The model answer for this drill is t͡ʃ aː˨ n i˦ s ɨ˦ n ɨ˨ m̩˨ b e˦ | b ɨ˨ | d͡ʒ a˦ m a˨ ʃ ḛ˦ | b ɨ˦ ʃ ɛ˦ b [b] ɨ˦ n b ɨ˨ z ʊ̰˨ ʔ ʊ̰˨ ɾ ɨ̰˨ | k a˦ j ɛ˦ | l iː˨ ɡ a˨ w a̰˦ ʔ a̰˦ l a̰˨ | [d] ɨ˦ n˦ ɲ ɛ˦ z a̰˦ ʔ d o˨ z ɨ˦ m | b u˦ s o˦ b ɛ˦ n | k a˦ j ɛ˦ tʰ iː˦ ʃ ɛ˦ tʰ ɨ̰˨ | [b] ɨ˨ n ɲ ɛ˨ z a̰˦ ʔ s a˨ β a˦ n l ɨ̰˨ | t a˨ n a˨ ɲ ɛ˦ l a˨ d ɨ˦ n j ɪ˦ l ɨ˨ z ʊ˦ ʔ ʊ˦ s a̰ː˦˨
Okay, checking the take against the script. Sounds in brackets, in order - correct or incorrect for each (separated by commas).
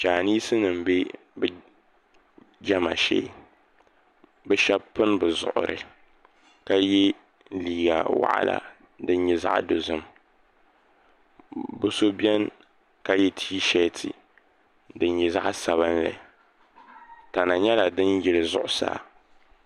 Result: incorrect, correct, incorrect